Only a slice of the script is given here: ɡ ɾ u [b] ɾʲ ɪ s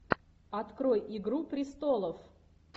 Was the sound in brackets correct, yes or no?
no